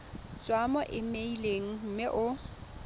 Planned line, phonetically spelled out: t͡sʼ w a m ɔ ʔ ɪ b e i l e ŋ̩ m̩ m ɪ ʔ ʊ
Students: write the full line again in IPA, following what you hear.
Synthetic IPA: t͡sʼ w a m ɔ ʔ ɪ m e i l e ŋ̩ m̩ m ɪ ʔ ʊ